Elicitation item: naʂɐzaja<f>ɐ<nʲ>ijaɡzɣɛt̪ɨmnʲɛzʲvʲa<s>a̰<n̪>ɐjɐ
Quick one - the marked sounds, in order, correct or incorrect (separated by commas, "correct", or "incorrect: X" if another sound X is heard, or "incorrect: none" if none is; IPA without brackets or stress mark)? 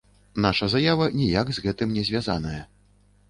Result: incorrect: v, correct, incorrect: z, correct